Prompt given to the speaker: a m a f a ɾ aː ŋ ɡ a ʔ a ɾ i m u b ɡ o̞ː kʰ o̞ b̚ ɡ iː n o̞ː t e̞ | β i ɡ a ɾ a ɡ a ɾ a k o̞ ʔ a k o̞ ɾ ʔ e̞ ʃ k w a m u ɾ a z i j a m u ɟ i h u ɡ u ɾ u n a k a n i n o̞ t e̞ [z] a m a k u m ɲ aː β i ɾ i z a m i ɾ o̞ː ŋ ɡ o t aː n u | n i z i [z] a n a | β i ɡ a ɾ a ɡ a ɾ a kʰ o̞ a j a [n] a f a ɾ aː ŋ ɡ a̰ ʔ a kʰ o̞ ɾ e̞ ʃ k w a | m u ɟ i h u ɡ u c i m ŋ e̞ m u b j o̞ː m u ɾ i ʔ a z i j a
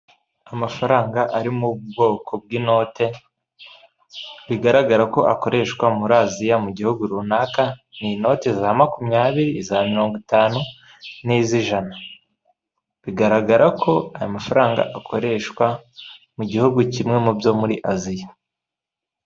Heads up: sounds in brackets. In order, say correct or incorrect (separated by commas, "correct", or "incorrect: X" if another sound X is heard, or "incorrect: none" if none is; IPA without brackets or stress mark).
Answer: correct, incorrect: ʒ, incorrect: m